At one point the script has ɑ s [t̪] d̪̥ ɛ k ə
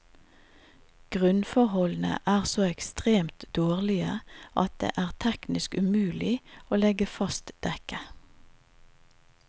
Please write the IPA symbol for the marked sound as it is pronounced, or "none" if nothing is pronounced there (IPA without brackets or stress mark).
t̪